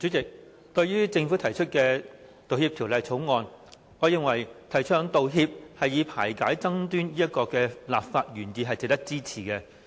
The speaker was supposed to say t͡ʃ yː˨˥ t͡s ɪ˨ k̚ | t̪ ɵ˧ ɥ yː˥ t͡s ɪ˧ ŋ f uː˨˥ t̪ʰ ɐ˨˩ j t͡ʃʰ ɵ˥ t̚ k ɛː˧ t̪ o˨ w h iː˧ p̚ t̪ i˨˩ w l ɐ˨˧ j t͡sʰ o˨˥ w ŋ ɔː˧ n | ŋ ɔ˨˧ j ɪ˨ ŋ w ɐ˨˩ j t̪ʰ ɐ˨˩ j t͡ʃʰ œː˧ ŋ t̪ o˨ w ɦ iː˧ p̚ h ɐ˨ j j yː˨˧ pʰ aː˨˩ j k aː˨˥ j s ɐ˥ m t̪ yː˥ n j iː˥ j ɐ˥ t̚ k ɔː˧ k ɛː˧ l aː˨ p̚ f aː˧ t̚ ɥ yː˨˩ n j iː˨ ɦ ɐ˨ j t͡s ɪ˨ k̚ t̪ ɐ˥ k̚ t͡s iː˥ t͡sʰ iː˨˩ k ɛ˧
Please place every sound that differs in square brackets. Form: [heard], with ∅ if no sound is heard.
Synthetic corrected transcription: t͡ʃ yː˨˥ t͡s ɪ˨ k̚ | t̪ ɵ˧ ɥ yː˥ t͡s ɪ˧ ŋ f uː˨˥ t̪ʰ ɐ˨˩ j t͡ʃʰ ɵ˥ t̚ k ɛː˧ t̪ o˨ w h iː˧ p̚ [t̪ʰ] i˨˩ w l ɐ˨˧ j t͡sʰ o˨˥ w ŋ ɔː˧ n | ŋ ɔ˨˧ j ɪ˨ ŋ w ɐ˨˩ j t̪ʰ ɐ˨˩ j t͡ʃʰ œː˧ ŋ t̪ o˨ w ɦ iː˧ p̚ h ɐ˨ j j [iː˨˧] pʰ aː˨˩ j k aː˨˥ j [t͡s] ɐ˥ [ŋ] t̪ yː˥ n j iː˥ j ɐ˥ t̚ k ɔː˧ k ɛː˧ l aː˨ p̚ f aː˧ t̚ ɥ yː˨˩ n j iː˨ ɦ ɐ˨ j t͡s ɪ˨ k̚ t̪ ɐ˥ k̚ t͡s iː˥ t͡sʰ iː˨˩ k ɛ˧